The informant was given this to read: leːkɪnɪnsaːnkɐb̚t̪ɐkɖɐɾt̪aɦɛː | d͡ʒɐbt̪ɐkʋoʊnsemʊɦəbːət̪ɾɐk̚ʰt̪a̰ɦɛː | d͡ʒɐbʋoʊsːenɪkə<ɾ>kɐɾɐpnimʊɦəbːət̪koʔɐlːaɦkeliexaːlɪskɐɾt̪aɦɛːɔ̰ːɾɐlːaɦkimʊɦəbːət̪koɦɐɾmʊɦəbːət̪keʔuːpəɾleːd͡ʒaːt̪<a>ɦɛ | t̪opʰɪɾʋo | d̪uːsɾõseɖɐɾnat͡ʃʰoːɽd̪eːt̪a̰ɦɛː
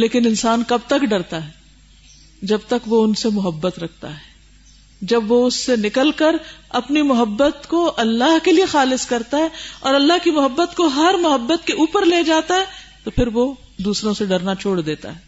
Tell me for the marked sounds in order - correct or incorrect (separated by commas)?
incorrect, correct